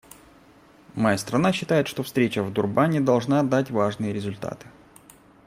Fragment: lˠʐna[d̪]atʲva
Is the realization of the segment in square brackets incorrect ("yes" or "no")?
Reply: no